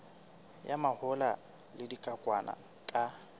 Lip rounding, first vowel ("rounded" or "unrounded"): unrounded